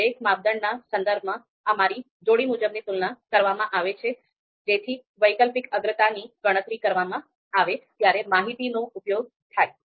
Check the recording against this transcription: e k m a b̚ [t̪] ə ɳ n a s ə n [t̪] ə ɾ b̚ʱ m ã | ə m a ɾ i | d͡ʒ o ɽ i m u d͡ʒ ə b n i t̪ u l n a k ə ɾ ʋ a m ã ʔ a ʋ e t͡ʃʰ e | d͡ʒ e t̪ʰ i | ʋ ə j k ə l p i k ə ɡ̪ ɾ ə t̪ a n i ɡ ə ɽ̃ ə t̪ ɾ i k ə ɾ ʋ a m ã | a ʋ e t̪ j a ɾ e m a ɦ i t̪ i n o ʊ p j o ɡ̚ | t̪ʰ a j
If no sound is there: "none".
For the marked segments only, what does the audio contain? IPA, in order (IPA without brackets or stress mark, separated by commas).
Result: d̪, d̪